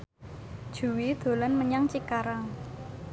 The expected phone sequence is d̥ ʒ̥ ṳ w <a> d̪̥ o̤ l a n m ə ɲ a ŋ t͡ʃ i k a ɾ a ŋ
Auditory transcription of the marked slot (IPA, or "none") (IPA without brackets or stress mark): i